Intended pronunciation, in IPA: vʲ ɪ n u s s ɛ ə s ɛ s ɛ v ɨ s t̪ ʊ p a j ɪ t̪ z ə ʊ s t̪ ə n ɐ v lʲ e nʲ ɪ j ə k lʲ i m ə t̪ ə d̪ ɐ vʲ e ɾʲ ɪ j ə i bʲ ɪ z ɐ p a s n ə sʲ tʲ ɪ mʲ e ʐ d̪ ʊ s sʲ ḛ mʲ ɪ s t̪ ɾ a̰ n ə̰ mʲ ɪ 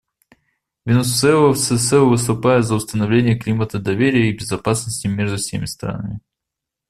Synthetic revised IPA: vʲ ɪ n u s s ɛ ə s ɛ s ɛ v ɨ s t̪ ʊ p a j ɪ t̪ z ə ʊ s t̪ ə n ɐ v lʲ e nʲ ɪ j ə k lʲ i m ə t̪ ə d̪ ɐ vʲ e ɾʲ ɪ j ə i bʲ ɪ z ɐ p a s n ə sʲ tʲ ɪ mʲ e ʐ d̪ ʊ f sʲ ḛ mʲ ɪ s t̪ ɾ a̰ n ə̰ mʲ ɪ

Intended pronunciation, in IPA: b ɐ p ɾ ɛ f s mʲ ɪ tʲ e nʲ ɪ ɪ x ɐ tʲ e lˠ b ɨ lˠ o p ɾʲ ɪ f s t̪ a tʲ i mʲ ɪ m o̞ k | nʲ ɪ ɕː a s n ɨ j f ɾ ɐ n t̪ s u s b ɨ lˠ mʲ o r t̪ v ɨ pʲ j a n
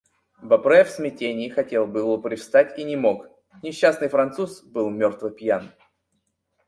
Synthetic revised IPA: b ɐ p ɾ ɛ f s mʲ ɪ tʲ e nʲ ɪ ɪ x ɐ tʲ e lˠ b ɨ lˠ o p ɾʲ ɪ f s t̪ a tʲ i nʲ ɪ m o̞ k | nʲ ɪ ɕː a s n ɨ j f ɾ ɐ n t̪ s u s b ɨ lˠ mʲ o r t̪ v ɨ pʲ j a n

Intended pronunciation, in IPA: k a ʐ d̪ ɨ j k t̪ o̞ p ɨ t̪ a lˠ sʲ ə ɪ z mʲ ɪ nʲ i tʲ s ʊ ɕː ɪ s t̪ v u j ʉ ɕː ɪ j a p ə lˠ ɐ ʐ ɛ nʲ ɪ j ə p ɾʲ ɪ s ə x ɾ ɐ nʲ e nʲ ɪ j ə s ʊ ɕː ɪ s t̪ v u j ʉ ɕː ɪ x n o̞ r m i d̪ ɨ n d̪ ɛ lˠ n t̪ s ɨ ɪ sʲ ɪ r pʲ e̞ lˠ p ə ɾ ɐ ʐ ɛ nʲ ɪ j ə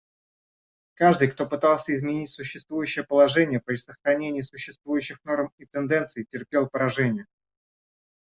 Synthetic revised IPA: k a ʐ d̪ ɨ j k t̪ o̞ p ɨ t̪ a lˠ sʲ ə ɪ z mʲ ɪ nʲ i tʲ s ʊ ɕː ɪ s t̪ v u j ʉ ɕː ɪ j ə p ə lˠ ɐ ʐ ɛ nʲ ɪ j ə p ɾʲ ɪ s ə x ɾ ɐ nʲ e nʲ ɪ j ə s ʊ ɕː ɪ s t̪ v u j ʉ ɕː ɪ x n o̞ r m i t̪ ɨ n d̪ ɛ n t̪ s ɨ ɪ tʲ ɪ r pʲ e̞ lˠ p ə ɾ ɐ ʐ ɛ nʲ ɪ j ə

